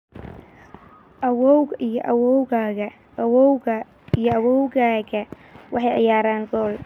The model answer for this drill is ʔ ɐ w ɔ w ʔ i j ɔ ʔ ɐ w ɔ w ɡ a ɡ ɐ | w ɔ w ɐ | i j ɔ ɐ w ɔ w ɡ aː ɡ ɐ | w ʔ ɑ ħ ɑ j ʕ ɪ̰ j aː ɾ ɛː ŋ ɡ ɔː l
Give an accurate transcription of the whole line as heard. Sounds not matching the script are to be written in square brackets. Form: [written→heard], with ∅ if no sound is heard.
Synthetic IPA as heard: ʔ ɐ w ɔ w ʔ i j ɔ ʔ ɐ w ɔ w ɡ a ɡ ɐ | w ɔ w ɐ | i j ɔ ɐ w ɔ w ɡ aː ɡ ɐ | w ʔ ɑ ħ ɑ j ʕ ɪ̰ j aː ɾ [ɛː→aː] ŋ ɡ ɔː l